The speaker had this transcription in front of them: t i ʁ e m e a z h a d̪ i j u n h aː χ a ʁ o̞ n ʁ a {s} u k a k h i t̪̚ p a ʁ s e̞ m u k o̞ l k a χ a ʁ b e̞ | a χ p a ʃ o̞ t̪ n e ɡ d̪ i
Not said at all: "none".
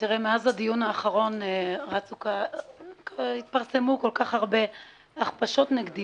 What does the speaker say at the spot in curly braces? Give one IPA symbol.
t͡s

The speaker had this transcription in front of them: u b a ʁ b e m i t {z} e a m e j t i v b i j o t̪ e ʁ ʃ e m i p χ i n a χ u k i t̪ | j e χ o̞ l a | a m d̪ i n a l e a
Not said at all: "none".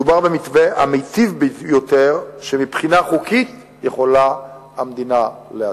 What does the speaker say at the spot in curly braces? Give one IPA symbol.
v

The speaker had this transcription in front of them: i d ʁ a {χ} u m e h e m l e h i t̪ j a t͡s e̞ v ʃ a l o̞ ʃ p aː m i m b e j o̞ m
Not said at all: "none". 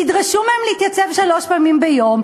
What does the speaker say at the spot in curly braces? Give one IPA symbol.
ʃ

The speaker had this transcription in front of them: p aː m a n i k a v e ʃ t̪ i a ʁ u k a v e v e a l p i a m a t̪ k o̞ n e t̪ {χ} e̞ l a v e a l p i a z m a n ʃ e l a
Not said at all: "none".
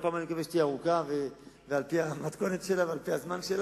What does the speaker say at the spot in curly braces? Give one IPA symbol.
ʃ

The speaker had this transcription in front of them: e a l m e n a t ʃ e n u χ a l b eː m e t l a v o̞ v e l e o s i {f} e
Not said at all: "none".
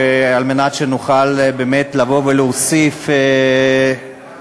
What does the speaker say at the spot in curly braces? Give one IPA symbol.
f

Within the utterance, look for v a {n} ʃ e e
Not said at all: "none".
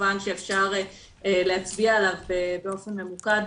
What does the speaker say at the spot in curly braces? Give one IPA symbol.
n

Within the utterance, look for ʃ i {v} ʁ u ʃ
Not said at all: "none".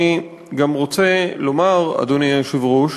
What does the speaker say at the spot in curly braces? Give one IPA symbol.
v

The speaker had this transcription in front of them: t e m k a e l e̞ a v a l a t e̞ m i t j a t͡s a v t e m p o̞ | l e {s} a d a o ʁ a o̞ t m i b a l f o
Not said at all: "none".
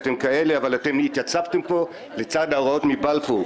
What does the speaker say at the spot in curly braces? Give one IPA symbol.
t͡s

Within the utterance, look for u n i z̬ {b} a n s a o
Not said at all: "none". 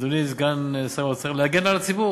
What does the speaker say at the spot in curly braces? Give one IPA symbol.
ɡ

